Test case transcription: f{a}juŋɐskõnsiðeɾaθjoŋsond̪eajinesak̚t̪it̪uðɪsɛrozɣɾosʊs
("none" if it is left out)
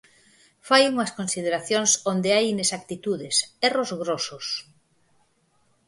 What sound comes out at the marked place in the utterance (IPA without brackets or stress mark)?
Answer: a